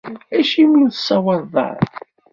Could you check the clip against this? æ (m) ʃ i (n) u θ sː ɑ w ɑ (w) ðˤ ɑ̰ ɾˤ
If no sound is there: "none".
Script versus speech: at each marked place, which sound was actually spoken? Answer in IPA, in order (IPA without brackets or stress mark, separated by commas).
none, m, none